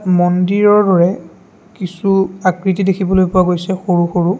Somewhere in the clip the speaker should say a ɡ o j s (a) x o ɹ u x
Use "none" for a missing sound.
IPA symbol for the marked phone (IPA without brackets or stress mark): ɛ